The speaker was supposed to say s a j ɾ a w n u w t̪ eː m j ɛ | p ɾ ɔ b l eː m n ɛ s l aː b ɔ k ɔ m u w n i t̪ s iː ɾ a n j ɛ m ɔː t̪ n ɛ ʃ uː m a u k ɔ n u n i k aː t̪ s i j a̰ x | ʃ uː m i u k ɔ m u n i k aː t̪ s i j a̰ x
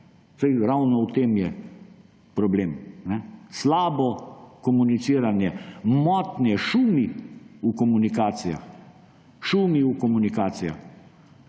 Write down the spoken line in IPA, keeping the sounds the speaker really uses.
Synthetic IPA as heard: s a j ɾ a w n ɔ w t̪ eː m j ɛ | p ɾ ɔ b l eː m n ɛ s l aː b ɔ k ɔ m u n i t̪ s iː ɾ a n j ɛ m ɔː t̪ n ɛ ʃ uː m i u k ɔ m u n i k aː t̪ s i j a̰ x | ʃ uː m i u k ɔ m u n i k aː t̪ s i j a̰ x